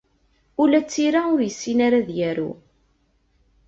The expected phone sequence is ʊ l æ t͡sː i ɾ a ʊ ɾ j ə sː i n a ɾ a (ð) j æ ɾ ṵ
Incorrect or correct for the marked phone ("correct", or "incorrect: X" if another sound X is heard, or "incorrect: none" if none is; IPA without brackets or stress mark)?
correct